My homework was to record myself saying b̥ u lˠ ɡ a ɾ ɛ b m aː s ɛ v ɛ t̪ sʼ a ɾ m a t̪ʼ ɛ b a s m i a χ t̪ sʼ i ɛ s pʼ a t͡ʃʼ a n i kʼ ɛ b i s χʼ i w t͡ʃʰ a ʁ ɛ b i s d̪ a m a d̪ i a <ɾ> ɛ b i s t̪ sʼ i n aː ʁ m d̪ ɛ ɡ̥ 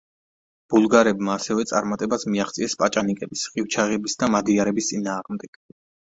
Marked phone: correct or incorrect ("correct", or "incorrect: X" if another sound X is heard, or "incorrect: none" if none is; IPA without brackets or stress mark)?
correct